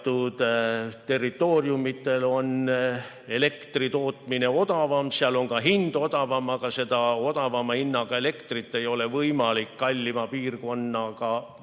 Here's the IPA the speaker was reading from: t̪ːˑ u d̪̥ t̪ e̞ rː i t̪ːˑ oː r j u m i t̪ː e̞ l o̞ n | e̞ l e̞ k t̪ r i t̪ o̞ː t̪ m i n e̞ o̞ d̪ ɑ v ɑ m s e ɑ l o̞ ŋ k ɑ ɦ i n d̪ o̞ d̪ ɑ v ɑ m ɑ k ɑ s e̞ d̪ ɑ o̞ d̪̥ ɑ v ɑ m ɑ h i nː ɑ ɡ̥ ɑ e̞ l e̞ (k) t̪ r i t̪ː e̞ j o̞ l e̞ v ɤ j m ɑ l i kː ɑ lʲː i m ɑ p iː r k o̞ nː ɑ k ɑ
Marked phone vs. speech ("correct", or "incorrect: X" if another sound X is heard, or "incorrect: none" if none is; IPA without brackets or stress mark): correct